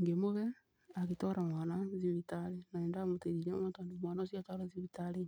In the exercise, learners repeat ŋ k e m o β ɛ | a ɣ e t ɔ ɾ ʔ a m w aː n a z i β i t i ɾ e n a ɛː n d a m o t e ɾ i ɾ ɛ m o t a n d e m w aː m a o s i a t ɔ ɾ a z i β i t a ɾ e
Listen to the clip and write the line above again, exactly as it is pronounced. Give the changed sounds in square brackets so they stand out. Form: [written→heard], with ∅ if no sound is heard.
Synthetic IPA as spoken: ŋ [k→ɡ] e m o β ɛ | a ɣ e t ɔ ɾ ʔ a m w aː n a z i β i t [i→a] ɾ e n a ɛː n d a m o t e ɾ i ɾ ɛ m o t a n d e m w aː [m→n] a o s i a t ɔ ɾ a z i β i t a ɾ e